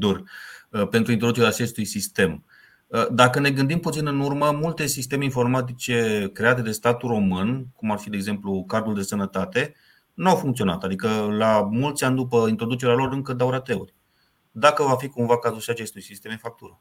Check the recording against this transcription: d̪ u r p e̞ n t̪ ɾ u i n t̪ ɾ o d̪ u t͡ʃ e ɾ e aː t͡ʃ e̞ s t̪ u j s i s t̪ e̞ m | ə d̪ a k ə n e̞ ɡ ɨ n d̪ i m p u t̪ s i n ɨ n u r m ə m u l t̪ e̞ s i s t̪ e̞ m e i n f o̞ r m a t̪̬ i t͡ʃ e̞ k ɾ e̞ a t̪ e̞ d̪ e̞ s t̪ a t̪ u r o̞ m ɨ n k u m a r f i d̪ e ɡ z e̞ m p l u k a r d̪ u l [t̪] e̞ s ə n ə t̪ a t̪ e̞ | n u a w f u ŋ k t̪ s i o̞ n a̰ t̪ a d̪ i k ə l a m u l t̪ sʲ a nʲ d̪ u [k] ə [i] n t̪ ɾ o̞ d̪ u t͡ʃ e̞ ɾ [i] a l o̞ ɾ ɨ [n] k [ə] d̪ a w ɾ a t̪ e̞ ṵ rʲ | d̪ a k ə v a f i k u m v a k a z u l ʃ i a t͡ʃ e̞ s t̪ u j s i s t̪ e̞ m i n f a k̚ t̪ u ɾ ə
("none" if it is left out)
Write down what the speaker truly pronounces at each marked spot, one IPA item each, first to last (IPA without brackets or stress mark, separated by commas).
d̪, p, i, e, ŋ, ə